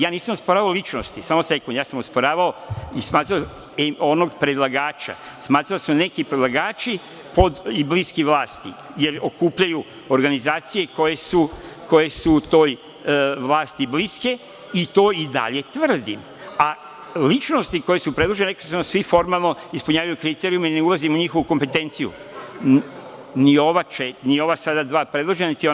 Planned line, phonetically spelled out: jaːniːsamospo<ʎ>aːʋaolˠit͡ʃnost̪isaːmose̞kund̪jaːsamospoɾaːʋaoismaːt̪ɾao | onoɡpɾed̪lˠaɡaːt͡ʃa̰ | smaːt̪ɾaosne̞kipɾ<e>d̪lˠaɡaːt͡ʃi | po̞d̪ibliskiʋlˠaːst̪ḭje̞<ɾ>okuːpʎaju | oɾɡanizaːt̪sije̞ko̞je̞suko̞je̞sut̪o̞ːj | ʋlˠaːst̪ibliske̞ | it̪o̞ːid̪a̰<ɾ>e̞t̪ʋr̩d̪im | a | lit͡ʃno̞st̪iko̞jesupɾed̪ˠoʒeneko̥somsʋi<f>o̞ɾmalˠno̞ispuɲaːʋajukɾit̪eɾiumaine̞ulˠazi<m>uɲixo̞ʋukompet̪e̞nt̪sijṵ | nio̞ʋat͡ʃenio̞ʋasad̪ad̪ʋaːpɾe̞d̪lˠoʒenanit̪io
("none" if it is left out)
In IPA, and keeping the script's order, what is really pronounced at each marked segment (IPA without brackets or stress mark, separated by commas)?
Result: ɾ, e, ɾ, ʎ, f, m